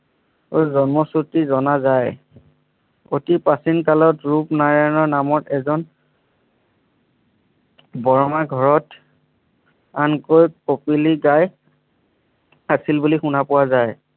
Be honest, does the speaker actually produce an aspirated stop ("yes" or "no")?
no